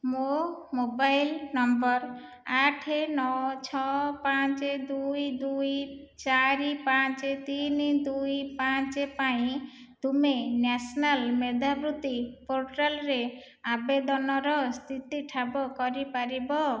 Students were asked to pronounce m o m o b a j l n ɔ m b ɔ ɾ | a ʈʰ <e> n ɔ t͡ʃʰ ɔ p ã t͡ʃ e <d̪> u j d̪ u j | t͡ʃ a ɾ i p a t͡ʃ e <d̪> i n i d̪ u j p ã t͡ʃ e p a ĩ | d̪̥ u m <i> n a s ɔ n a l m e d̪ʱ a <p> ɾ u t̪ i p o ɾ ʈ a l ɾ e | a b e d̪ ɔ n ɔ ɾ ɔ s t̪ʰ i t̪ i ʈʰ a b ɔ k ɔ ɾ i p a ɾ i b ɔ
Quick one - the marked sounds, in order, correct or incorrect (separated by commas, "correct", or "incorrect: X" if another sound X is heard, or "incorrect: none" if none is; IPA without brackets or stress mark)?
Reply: correct, correct, incorrect: t̪, incorrect: e, incorrect: b